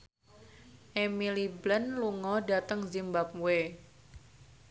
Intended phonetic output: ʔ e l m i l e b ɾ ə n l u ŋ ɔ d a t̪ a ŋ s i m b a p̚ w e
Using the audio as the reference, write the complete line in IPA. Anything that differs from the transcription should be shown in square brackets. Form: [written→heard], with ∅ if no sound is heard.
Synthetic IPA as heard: ʔ e [l→∅] m i l [e→i] b [ɾ→l] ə n l u ŋ ɔ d a t̪ [a→ə] ŋ [s→z] i m b a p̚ w e